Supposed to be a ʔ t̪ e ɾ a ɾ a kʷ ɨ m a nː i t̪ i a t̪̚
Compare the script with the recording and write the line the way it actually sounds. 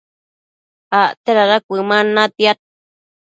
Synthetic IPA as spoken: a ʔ t̪ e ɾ a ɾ a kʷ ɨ m a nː a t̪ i a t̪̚